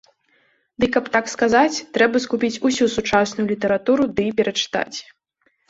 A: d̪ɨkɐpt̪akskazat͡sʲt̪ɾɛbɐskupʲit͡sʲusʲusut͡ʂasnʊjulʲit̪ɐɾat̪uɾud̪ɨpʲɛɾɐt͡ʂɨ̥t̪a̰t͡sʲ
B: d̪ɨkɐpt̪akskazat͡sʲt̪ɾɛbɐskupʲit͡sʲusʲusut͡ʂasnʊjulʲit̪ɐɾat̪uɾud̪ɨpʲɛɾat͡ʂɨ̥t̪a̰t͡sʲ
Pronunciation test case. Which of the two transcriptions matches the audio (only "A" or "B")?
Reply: A